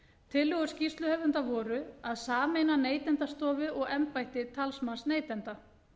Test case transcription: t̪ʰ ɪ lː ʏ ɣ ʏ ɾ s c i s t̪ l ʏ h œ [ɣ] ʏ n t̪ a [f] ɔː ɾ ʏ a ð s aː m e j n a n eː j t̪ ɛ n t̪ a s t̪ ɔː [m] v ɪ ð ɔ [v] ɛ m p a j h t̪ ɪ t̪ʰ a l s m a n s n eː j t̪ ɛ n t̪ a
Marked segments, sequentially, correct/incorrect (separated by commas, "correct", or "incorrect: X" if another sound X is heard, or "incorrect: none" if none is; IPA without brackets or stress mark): incorrect: v, incorrect: v, incorrect: none, incorrect: ɣ